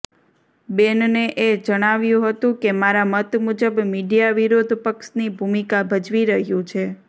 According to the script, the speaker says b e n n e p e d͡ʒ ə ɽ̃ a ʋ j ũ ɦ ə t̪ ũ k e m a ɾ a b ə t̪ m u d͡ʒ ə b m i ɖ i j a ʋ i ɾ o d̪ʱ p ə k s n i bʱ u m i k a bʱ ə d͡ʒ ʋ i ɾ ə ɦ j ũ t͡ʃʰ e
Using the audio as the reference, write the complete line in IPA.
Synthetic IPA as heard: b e n n e ʔ e d͡ʒ ə ɽ̃ a ʋ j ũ ɦ ə t̪ ũ k e m a ɾ a m ə t̪ m u d͡ʒ ə b m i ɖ i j a ʋ i ɾ o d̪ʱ p ə k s n i bʱ u m i k a bʱ ə d͡ʒ ʋ i ɾ ə ɦ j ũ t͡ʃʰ e